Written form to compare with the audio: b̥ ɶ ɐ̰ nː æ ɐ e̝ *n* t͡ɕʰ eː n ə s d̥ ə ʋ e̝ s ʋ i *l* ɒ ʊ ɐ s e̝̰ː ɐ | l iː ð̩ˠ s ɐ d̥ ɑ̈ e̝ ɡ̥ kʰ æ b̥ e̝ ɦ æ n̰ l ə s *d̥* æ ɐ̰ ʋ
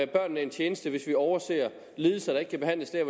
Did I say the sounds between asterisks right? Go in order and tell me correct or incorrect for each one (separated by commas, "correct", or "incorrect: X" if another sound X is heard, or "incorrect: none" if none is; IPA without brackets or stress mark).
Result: correct, incorrect: none, correct